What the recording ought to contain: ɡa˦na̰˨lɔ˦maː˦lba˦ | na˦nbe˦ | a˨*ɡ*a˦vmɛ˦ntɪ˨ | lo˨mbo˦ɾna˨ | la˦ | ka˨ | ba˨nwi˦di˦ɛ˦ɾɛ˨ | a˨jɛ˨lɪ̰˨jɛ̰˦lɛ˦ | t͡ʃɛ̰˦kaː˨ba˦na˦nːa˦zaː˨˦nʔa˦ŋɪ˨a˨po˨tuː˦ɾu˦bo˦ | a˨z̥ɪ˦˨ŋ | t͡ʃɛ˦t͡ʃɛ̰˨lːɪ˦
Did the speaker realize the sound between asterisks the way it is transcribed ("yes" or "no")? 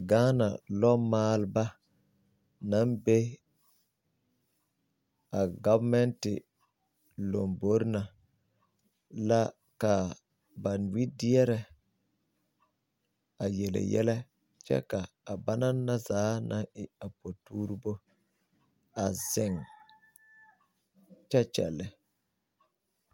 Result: yes